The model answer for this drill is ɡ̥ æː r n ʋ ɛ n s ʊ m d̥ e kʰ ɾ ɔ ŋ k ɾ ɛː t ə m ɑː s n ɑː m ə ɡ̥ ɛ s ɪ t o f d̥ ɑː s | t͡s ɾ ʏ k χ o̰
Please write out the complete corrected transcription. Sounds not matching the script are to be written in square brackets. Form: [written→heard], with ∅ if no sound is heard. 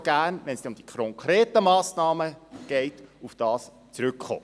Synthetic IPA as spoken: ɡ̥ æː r n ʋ ɛ n s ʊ m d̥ [e→i] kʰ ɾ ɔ ŋ k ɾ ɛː t ə m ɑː s n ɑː m ə ɡ̥ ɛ [s→∅] ɪ t [o→u] f d̥ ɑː s | t͡s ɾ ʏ k χ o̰